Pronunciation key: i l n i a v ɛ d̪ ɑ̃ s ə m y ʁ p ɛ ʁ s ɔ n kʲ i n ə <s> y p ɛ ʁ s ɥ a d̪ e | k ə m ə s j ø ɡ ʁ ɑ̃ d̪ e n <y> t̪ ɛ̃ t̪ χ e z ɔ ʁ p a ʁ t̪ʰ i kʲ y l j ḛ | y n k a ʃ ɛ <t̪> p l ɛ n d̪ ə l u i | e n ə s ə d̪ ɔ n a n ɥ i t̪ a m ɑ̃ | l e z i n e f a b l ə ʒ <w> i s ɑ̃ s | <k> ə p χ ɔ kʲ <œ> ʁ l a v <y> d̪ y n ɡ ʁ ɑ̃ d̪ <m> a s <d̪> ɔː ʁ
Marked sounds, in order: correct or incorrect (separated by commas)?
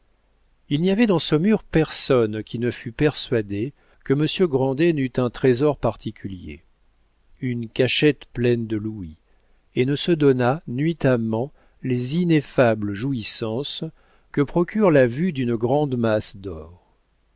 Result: incorrect, correct, correct, incorrect, correct, incorrect, correct, correct, correct